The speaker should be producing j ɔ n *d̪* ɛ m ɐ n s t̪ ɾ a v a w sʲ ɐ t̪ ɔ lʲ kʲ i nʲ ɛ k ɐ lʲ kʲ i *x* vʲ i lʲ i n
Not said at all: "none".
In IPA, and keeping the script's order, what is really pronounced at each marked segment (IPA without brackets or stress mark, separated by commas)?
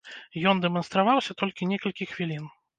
d̪, x